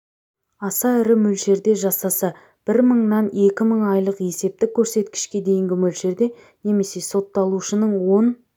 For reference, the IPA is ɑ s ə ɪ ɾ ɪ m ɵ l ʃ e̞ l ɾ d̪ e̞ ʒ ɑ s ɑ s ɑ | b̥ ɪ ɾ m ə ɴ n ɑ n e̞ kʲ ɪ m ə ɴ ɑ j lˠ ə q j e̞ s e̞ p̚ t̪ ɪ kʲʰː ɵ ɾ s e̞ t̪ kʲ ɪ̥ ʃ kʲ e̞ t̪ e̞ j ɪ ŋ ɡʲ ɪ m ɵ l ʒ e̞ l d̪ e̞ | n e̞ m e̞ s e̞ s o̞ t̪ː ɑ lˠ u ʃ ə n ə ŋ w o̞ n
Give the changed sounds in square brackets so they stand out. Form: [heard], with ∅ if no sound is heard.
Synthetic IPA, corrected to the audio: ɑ s [ɑ] ɪ ɾ ɪ m ɵ l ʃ e̞ [∅] ɾ d̪ e̞ ʒ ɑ s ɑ s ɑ | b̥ ɪ ɾ m ə ɴ n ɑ n e̞ kʲ ɪ m ə ɴ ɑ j lˠ ə q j e̞ s e̞ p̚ t̪ ɪ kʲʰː ɵ ɾ s e̞ t̪ kʲ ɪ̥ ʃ kʲ e̞ [d̪] e̞ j ɪ ŋ ɡʲ ɪ m ɵ l [ʃ] e̞ [ɾ] d̪ e̞ | n e̞ m e̞ s e̞ s o̞ t̪ː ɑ lˠ u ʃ ə n ə [ɴ] w o̞ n

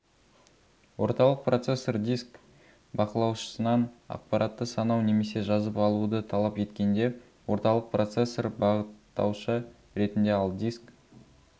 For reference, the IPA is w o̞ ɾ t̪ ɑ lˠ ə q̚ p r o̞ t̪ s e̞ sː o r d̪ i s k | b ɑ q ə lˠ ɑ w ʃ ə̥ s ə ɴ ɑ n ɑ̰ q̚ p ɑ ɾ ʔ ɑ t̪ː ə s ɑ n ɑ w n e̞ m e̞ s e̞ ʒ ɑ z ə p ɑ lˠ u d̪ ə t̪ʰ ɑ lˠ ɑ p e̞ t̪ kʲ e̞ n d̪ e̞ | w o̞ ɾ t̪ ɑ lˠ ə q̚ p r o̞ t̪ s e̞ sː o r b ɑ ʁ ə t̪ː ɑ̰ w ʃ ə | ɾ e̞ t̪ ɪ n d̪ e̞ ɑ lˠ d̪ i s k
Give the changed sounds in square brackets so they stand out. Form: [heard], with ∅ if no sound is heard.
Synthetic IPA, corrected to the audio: w o̞ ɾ t̪ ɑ lˠ ə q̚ p r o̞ t̪ s e̞ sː o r d̪ i s k | b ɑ q ə lˠ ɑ w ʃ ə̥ s ə [n] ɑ n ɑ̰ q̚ p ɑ ɾ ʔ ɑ t̪ː ə s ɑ n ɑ w n e̞ m e̞ s e̞ ʒ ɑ z ə p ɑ lˠ u d̪ ə t̪ʰ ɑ lˠ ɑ p e̞ t̪ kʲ e̞ n d̪ e̞ | w o̞ ɾ t̪ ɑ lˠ ə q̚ p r o̞ t̪ s e̞ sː o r b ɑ ʁ ə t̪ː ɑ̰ w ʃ ə | ɾ e̞ t̪ ɪ n d̪ e̞ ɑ lˠ d̪ i s k

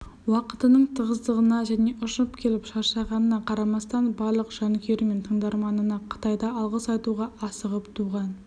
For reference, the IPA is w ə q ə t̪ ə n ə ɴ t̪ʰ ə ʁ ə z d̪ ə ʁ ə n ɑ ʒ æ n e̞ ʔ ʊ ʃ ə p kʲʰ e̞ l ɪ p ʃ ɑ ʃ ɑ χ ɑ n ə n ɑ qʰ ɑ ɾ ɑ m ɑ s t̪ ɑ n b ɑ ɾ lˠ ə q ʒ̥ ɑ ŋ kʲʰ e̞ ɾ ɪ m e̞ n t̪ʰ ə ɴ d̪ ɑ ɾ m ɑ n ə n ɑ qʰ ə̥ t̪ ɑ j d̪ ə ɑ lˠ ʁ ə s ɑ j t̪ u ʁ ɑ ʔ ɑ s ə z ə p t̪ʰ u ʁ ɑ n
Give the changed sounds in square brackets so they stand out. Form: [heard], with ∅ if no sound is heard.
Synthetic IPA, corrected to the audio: w [ɑ] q ə t̪ ə n ə ɴ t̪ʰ ə ʁ ə z d̪ ə ʁ ə n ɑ ʒ æ n e̞ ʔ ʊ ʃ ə p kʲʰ e̞ l ɪ p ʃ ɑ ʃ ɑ [ʁ] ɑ n ə n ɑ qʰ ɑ ɾ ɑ m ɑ s t̪ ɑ n b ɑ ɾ lˠ ə q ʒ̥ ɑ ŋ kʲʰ e̞ ɾ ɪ m e̞ n t̪ʰ ə ɴ d̪ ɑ ɾ m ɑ n ə n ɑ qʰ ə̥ t̪ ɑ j d̪ [ɑ] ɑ lˠ ʁ ə s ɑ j t̪ u ʁ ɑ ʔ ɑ s ə [ʁ] ə p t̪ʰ u ʁ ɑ n

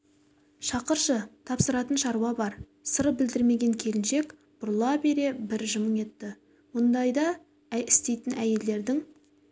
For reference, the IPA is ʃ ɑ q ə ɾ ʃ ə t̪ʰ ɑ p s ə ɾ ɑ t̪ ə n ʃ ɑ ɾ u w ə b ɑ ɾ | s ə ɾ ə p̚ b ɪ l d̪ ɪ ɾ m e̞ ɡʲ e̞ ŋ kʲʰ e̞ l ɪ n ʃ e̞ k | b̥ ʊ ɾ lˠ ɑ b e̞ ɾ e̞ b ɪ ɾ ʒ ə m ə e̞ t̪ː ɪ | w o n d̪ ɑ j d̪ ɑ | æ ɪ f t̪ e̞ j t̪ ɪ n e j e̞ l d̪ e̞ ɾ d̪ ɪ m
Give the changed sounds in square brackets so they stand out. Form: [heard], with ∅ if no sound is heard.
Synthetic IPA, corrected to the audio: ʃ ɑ q ə ɾ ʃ ə t̪ʰ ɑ p s ə ɾ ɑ t̪ ə n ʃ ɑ ɾ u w [ɑ] b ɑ ɾ | s ə ɾ ə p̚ b ɪ l d̪ ɪ ɾ m e̞ ɡʲ e̞ ŋ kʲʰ e̞ l ɪ n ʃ e̞ k | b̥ ʊ ɾ lˠ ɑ b e̞ ɾ e̞ b ɪ ɾ ʒ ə m ə e̞ t̪ː ɪ | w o n d̪ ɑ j d̪ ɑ | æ ɪ [s] t̪ e̞ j t̪ ɪ n [æ] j e̞ l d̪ e̞ ɾ d̪ ɪ [ŋ]

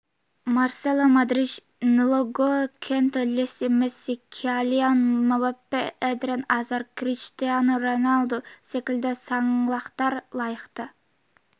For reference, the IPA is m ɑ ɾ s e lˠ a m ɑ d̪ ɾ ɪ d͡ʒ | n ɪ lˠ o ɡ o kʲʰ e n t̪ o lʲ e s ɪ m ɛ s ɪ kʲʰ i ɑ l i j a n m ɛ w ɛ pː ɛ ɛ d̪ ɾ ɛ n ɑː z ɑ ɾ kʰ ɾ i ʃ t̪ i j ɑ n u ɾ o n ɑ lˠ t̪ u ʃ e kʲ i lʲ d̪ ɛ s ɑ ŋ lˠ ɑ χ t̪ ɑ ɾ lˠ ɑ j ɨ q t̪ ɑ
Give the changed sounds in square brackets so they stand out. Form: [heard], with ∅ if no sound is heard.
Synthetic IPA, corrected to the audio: m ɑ ɾ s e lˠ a m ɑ d̪ ɾ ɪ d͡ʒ | n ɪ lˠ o ɡ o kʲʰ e n t̪ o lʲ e s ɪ m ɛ s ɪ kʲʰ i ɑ l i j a n m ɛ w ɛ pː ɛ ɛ d̪ ɾ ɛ n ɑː z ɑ ɾ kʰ ɾ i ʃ t̪ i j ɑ n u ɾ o n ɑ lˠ [d̪] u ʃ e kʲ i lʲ d̪ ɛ s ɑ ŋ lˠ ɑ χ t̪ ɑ ɾ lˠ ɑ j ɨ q t̪ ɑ

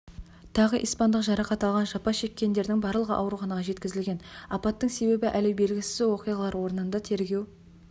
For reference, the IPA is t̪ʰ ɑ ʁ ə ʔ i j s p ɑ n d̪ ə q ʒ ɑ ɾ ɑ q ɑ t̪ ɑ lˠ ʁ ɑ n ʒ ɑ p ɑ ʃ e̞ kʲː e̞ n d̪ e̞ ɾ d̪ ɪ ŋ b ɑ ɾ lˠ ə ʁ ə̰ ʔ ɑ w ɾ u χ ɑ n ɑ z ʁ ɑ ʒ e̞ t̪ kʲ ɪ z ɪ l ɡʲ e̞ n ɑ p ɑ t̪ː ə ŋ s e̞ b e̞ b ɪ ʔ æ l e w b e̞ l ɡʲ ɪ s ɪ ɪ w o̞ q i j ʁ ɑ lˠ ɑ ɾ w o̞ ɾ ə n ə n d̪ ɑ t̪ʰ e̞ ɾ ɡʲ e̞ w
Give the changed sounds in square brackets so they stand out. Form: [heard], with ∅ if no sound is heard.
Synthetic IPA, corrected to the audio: t̪ʰ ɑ ʁ ə ʔ i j s p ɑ n d̪ ə q ʒ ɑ ɾ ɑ q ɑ t̪ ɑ lˠ ʁ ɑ n ʒ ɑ p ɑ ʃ e̞ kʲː e̞ n d̪ e̞ ɾ d̪ ɪ ŋ b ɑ ɾ lˠ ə ʁ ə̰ ʔ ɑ w ɾ u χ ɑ n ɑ [∅] ʁ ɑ ʒ e̞ t̪ kʲ ɪ z ɪ l ɡʲ e̞ n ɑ p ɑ t̪ː ə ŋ s e̞ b e̞ b ɪ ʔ æ l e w b e̞ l ɡʲ ɪ s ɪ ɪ w o̞ q i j ʁ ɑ lˠ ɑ ɾ w o̞ ɾ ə n ə n d̪ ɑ t̪ʰ e̞ ɾ ɡʲ e̞ w

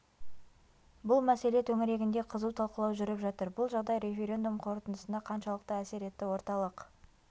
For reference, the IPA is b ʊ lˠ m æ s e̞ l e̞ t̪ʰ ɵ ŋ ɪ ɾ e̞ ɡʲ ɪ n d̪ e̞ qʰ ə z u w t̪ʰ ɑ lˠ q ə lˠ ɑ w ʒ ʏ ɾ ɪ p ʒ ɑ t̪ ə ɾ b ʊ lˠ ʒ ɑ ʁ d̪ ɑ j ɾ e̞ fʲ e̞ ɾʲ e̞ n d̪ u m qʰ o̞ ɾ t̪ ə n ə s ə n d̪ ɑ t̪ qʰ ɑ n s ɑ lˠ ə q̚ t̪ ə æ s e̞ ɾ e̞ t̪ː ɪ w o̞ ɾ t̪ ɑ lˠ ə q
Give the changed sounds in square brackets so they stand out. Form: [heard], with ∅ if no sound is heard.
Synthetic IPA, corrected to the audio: b ʊ lˠ m æ s e̞ l e̞ t̪ʰ ɵ ŋ ɪ ɾ e̞ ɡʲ ɪ n d̪ e̞ qʰ ə z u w t̪ʰ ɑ lˠ q ə lˠ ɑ w ʒ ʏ ɾ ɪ p ʒ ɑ t̪ ə ɾ b ʊ lˠ ʒ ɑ ʁ d̪ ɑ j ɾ e̞ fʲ e̞ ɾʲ e̞ n d̪ u m qʰ o̞ ɾ t̪ ə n ə s ə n d̪ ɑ [∅] qʰ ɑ n [ʃ] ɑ lˠ ə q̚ t̪ ə æ s e̞ ɾ e̞ t̪ː ɪ w o̞ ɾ t̪ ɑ lˠ ə q

